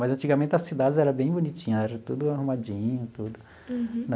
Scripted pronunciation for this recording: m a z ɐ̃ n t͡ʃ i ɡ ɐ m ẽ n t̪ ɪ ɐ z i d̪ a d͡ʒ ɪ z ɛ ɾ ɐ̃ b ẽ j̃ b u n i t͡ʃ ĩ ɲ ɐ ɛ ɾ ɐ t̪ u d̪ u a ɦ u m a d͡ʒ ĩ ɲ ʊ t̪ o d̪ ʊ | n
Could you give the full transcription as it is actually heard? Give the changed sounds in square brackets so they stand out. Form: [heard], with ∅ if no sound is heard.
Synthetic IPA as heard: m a z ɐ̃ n t͡ʃ i ɡ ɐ m ẽ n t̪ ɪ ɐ [s] i d̪ a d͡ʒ ɪ z ɛ ɾ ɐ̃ b ẽ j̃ b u n i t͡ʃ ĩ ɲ ɐ ɛ ɾ ɐ t̪ u d̪ [ʊ] a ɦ u m a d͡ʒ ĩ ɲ ʊ t̪ [u] d̪ ʊ | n